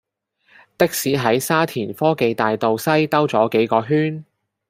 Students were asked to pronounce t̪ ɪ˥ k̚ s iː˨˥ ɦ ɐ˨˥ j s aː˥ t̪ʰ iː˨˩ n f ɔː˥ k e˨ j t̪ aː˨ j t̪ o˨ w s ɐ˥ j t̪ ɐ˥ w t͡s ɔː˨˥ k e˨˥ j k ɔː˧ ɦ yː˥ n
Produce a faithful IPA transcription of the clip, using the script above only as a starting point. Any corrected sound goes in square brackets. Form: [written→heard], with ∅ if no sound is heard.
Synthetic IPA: t̪ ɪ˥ k̚ s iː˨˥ ɦ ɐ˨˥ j s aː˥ t̪ʰ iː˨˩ n f ɔː˥ k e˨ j t̪ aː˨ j t̪ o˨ w s ɐ˥ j t̪ ɐ˥ w t͡s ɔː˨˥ k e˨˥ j k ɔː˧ ɦ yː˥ n